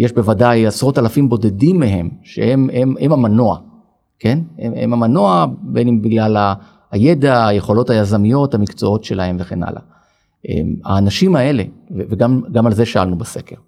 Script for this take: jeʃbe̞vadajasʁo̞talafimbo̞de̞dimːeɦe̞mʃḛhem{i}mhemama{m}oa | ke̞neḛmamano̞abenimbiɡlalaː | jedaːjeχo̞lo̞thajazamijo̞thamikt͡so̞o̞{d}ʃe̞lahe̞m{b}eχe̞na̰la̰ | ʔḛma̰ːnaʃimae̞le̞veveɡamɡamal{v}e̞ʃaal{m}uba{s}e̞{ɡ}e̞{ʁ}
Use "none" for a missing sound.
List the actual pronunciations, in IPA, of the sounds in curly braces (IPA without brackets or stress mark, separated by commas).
e, n, t, v, z, n, s, k, ʁ